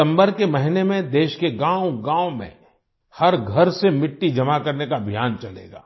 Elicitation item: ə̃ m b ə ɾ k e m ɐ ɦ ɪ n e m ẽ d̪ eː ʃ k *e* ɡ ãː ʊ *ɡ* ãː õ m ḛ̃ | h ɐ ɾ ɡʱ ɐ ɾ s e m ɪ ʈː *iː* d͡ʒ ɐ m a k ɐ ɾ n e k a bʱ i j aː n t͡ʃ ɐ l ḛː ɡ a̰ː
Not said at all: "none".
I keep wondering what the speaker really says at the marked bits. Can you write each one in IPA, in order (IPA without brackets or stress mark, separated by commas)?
e, ɡ, i